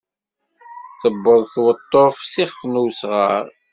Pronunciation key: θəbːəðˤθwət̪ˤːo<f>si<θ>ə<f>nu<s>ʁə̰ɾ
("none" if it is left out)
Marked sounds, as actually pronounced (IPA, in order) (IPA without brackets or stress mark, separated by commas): f, χ, f, s